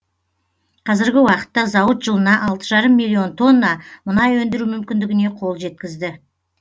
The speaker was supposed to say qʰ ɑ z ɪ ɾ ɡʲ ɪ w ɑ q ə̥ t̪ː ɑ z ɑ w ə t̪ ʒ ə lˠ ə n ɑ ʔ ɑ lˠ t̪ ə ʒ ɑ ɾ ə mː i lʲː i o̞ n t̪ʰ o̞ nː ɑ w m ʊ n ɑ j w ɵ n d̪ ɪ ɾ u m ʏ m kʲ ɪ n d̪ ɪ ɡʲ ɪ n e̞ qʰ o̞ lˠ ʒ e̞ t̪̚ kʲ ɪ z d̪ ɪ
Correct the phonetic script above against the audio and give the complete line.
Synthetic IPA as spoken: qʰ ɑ z ɪ ɾ ɡʲ ɪ w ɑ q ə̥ t̪ː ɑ z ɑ w ə t̪ ʒ ə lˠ ə n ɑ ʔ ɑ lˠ t̪ ə ʒ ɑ ɾ ə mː i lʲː i o̞ n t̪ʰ o̞ nː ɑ m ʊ n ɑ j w ɵ n d̪ ɪ ɾ u m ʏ m kʲ ɪ n d̪ ɪ ɡʲ ɪ n e̞ qʰ o̞ lˠ ʒ e̞ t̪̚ kʲ ɪ z d̪ ɪ